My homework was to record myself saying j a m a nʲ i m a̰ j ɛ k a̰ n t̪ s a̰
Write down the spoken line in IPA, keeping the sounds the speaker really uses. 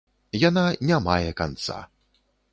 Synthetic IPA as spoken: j a n a nʲ a m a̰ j ɛ k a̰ n t̪ s a̰